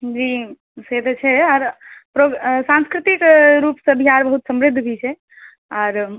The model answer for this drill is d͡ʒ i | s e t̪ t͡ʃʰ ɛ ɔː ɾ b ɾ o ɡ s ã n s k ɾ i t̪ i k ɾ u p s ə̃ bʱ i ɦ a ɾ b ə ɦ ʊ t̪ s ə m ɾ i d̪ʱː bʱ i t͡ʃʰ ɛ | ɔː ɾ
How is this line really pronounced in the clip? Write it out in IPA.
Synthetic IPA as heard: d͡ʒ i | s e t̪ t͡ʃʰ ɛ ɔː ɾ p ɾ o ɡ s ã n s k ɾ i t̪ i k ɾ u p s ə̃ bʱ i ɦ a ɾ b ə ɦ u t̪ s ə m ɾ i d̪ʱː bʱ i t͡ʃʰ ɛ | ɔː ɾ